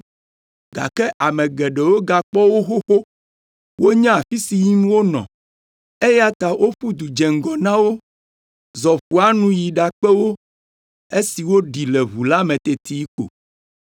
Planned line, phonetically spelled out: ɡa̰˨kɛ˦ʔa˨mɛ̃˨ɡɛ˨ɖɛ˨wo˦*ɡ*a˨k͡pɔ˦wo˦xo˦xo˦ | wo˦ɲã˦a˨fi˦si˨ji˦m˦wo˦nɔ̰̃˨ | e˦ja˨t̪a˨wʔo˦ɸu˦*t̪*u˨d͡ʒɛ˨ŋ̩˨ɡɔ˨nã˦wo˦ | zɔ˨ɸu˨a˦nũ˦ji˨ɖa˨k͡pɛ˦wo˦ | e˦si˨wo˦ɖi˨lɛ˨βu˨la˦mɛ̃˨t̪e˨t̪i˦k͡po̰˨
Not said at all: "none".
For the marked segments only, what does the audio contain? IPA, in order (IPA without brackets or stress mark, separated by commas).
ɡ, d̪